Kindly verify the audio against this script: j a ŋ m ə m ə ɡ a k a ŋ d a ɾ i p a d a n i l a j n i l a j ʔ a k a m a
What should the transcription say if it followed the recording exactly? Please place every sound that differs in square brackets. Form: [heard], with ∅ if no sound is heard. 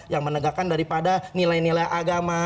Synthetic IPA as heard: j a ŋ m ə [n] ə ɡ a k a [n] d a ɾ i p a d a n i l a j n i l a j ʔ a [ɡ] a m a